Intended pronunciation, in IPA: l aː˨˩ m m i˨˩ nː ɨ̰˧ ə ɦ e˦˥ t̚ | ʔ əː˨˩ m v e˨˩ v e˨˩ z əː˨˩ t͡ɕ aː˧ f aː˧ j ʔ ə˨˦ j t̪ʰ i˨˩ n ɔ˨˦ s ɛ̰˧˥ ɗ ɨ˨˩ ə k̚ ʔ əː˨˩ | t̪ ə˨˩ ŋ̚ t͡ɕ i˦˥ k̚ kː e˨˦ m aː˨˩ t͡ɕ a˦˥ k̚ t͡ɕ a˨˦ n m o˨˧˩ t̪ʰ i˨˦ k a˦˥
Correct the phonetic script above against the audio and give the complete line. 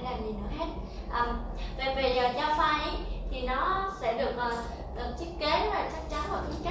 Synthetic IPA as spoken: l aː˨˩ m ɲ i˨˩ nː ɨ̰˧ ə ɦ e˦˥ t̚ | ʔ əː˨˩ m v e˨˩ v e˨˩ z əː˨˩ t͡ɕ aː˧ f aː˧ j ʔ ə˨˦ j t̪ʰ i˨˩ n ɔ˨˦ s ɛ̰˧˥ ɗ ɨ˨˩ ə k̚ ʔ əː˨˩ | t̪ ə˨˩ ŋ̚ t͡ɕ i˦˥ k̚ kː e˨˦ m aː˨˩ t͡ɕ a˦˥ k̚ t͡ɕ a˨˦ n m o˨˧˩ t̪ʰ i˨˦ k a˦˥

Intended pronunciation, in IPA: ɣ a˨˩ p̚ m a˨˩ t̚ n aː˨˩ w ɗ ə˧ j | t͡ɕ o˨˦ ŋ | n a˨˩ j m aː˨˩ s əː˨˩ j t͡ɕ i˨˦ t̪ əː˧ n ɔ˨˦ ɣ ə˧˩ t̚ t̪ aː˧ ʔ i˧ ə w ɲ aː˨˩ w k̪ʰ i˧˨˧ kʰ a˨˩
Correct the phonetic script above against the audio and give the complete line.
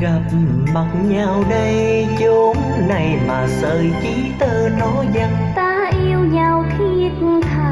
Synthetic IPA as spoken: ɣ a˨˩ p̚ m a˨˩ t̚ ɲ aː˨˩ w ɗ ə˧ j | t͡ɕ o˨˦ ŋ | n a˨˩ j m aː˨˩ s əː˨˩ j t͡ɕ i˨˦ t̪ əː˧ n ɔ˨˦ z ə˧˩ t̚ t̪ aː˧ ʔ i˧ ə w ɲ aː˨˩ w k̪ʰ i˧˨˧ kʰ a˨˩

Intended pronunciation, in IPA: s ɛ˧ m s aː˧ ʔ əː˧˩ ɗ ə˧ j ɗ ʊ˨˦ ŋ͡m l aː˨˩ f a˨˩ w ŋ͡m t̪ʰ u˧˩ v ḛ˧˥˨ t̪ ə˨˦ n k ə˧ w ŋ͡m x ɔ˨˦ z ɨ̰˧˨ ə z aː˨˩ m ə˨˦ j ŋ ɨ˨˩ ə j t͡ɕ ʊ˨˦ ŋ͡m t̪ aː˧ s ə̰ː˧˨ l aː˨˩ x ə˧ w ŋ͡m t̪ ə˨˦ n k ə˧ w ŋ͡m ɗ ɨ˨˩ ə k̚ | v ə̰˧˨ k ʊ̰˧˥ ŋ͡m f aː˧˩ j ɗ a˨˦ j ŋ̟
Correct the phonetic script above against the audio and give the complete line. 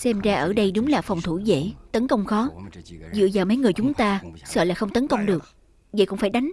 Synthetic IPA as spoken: s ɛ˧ m z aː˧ ʔ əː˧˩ ɗ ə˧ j ɗ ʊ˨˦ ŋ͡m l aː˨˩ f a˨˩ w ŋ͡m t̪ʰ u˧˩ z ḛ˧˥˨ t̪ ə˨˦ n k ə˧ w ŋ͡m x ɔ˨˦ z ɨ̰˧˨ ə z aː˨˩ m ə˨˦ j ŋ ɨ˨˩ ə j t͡ɕ ʊ˨˦ ŋ͡m t̪ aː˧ s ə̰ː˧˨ l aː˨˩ x ə˧ w ŋ͡m t̪ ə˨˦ n k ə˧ w ŋ͡m ɗ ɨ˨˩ ə k̚ | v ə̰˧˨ k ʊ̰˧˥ ŋ͡m f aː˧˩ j ɗ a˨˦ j ŋ̟

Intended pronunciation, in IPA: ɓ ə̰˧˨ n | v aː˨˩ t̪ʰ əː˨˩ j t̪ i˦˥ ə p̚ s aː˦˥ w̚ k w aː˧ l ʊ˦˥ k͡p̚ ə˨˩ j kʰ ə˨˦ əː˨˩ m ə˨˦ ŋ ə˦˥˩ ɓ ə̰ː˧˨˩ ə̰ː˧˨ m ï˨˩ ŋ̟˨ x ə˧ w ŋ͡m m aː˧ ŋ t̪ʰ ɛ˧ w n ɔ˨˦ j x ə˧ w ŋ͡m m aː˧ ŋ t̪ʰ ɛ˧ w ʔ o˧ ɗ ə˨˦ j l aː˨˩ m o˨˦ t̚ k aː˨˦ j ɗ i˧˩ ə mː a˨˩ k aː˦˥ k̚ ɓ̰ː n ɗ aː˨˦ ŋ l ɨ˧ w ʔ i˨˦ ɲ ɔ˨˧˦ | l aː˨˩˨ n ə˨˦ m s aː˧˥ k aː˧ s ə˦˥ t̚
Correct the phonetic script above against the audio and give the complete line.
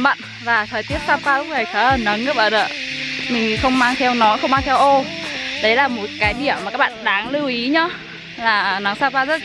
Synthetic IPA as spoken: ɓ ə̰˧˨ n | v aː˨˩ t̪ʰ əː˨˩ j t̪ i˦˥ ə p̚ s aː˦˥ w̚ k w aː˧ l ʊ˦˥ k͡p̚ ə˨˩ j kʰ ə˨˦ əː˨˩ n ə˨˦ ŋ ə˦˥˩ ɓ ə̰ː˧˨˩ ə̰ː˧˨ m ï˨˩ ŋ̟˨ x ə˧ w ŋ͡m m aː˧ ŋ t̪ʰ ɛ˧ w n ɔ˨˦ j x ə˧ w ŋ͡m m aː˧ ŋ t̪ʰ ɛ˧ w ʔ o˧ ɗ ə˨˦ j l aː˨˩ m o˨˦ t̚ k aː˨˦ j ɗ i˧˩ ə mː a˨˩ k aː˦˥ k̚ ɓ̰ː n ɗ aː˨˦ ŋ l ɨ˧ w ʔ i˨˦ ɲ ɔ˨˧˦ | l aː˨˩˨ n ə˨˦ ŋ s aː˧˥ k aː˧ z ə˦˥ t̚

